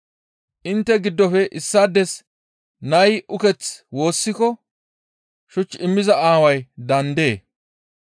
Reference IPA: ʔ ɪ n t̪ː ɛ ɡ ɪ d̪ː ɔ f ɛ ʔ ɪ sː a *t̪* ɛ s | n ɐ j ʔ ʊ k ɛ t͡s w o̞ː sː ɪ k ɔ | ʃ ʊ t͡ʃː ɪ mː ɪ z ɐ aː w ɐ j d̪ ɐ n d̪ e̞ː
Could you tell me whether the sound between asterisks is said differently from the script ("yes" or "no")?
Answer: yes